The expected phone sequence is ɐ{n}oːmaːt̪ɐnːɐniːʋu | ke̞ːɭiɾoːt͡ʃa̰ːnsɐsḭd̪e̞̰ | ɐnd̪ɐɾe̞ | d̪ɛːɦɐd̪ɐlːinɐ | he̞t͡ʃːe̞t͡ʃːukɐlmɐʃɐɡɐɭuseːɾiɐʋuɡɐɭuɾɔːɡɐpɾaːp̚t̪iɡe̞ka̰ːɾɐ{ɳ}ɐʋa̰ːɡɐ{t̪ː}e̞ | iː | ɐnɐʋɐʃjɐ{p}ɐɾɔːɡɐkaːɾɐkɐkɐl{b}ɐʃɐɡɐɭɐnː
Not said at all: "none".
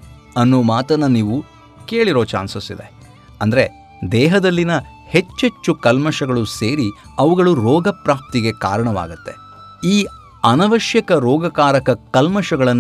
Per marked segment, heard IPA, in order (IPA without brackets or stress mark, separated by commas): nː, ɳ, t̪ː, k, m